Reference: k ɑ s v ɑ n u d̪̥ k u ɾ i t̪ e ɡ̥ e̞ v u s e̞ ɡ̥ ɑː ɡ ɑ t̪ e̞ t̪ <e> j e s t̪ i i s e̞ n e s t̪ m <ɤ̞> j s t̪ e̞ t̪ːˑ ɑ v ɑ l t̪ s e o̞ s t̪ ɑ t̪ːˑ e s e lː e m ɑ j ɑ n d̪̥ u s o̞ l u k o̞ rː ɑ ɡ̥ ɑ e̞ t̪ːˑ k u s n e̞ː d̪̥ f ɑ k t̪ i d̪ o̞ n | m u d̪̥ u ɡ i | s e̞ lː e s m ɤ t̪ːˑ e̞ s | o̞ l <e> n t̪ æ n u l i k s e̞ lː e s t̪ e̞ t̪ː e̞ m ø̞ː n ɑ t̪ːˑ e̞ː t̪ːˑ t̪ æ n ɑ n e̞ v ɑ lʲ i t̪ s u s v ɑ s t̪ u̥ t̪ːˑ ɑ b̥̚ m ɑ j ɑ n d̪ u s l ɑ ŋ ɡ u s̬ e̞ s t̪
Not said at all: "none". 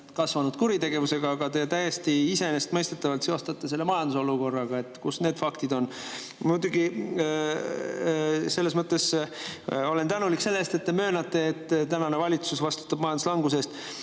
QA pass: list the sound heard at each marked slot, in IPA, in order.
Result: æ, ɤ̞, e

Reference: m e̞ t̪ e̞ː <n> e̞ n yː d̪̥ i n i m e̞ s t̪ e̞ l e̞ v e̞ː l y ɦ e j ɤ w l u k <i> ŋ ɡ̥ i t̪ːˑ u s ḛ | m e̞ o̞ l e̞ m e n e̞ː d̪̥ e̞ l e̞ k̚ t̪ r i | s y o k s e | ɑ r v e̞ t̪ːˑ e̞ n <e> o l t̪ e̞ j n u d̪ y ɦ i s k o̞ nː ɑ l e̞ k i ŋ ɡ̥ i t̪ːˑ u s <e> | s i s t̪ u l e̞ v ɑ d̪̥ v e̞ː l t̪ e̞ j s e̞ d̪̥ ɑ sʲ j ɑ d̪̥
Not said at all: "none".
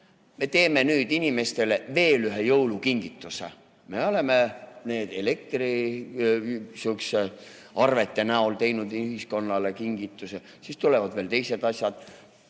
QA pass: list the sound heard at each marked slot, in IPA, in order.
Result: m, i, æ, e

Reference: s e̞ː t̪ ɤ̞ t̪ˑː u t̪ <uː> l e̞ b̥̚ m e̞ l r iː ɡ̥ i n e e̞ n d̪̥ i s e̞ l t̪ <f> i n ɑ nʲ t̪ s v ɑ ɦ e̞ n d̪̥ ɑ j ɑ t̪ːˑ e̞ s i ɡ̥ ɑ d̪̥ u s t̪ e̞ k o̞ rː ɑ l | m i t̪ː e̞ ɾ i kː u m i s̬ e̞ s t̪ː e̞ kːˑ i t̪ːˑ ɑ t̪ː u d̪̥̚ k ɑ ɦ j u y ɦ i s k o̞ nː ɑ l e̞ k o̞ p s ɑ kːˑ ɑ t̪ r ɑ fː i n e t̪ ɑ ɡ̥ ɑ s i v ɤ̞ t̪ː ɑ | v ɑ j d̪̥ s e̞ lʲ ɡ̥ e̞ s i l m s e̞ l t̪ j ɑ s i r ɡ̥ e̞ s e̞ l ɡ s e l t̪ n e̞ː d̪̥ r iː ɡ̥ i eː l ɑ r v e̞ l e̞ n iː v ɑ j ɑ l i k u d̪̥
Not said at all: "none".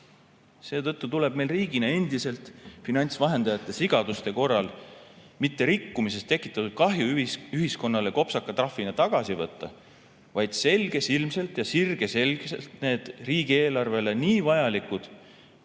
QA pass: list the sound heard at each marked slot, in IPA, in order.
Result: u, f

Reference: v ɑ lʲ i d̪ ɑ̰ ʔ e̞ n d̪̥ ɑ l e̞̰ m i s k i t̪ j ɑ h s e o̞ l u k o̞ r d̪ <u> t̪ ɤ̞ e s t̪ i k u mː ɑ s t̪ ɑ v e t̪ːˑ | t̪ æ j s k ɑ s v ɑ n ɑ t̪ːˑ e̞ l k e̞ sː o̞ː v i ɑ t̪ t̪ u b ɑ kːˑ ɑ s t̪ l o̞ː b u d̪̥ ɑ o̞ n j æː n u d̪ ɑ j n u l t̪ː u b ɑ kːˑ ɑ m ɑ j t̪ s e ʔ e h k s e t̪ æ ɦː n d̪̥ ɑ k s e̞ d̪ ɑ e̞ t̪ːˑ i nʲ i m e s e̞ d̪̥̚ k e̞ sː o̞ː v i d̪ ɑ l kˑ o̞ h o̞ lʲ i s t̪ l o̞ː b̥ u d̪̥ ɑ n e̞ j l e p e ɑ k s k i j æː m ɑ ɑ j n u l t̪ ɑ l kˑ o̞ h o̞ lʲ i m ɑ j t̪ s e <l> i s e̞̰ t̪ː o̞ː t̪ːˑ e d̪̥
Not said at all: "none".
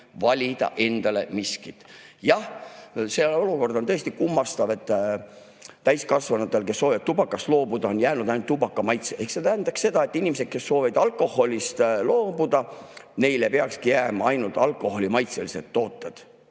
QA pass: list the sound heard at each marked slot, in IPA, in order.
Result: o, l

